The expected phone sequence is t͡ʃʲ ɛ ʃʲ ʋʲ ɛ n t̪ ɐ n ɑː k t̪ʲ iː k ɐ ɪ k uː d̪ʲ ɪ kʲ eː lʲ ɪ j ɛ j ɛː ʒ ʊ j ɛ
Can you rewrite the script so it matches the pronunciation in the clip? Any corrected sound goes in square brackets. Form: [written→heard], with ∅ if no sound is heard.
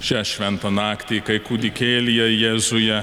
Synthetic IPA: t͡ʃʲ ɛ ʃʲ ʋʲ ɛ n t̪ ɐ n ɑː k t̪ʲ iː k ɐ ɪ k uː d̪ʲ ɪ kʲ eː lʲ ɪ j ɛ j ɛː [ʒ→z] ʊ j ɛ